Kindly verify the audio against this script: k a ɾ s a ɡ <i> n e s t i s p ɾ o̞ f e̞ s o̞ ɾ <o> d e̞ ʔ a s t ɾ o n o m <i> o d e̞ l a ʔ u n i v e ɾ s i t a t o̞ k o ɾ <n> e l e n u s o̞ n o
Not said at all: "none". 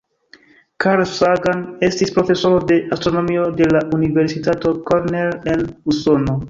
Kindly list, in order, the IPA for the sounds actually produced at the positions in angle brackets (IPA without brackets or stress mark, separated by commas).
a, o, i, n